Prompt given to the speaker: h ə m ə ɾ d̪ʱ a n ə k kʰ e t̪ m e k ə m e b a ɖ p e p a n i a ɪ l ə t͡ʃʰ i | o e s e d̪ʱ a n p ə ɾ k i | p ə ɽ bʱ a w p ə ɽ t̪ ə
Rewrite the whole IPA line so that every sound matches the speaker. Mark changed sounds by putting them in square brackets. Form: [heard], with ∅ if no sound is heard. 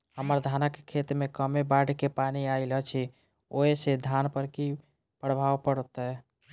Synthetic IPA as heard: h ə m ə ɾ d̪ʱ a n ə k kʰ e t̪ m e k ə m e b a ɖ [k] e p a n i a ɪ l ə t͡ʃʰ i | o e s e d̪ʱ a n p ə ɾ k i | p ə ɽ bʱ a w p ə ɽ t̪ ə